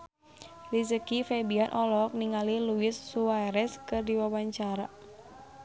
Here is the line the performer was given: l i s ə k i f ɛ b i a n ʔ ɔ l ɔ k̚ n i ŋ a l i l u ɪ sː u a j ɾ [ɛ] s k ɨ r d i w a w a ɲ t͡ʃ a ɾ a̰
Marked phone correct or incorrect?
correct